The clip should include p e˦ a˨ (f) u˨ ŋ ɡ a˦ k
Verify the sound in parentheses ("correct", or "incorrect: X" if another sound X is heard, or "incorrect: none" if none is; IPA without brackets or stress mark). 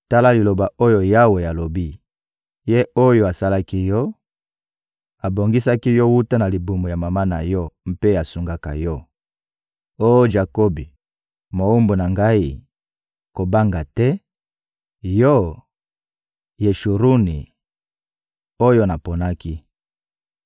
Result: incorrect: s